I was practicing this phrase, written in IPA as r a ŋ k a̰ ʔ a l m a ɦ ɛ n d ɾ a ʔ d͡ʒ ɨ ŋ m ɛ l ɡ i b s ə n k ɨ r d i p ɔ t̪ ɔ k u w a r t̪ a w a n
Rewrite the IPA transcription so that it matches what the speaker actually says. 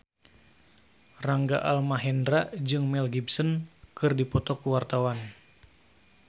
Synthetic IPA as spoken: r a ŋ ɡ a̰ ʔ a l m a ɦ ɛ n d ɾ a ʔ d͡ʒ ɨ ŋ m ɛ l ɡ i b s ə n k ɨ r d i p ɔ t̪ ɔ k u w a r t̪ a w a n